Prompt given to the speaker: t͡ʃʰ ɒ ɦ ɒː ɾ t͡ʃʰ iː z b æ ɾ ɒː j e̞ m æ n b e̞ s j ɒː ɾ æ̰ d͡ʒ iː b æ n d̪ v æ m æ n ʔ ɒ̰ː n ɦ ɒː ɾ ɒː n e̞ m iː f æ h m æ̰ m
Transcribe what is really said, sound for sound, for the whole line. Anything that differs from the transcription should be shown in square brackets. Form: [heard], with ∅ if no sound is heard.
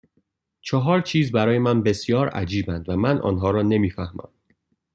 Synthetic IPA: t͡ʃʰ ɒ ɦ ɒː ɾ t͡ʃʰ iː z b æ ɾ ɒː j e̞ m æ n b e̞ s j ɒː ɾ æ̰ d͡ʒ iː b æ n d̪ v æ m æ n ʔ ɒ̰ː n ɦ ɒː ɾ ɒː n e̞ m iː f æ h m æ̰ m